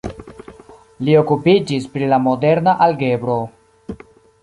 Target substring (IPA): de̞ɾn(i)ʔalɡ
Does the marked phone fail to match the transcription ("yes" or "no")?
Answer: yes